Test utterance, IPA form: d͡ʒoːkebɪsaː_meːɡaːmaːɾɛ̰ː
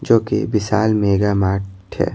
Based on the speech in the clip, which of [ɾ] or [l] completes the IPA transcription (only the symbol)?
l